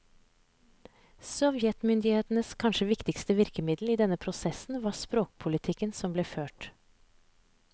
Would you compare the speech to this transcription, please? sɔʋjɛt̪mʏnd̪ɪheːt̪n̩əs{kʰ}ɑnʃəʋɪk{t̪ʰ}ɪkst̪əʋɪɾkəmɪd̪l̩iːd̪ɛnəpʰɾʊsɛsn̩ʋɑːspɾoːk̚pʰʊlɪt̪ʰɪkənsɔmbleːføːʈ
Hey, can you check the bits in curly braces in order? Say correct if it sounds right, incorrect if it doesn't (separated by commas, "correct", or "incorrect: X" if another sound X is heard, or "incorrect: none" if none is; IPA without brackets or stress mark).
correct, incorrect: t̪